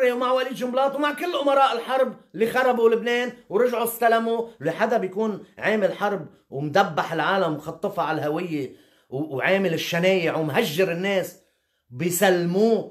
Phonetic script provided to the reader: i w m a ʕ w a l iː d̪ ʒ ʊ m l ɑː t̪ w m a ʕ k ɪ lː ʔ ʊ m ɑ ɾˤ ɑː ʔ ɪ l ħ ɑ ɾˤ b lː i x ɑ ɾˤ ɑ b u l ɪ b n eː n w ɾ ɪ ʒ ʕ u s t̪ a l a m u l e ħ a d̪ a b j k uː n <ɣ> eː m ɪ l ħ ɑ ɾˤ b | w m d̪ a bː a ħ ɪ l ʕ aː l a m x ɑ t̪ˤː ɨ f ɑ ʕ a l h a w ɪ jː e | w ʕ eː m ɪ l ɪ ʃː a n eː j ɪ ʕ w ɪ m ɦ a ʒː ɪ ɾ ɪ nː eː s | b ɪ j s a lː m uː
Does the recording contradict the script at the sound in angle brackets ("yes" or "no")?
yes